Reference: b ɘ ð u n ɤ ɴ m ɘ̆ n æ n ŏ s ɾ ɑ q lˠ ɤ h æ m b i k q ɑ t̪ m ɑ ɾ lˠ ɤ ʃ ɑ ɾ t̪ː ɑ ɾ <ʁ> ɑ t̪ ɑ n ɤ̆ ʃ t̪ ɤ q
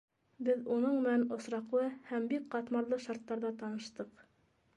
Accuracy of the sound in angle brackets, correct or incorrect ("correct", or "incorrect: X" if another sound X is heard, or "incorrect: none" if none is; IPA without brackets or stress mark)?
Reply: incorrect: ð